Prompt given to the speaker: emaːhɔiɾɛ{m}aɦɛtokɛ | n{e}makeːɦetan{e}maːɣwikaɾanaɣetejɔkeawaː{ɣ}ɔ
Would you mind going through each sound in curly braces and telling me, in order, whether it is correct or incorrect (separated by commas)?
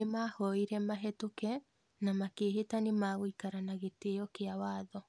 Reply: correct, incorrect, correct, incorrect